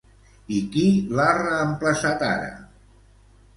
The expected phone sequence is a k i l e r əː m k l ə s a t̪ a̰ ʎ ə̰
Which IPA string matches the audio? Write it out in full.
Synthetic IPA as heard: i k i l a r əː m p l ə s a t̪ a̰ ɾ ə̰

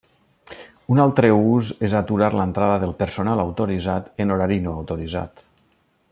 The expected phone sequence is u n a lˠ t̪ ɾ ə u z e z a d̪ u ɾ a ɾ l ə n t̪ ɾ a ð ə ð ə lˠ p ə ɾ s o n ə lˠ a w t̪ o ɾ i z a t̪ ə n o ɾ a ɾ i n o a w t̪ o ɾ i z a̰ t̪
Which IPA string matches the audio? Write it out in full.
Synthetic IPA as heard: u n a lˠ t̪ ɾ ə u z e z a t̪ u ɾ a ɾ l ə n t̪ ɾ a ð ə ð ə lˠ p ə ɾ s o n a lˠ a w t̪ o ɾ i z a t̪ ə n o ɾ a ɾ i n o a w t̪ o ɾ i z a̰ t̪

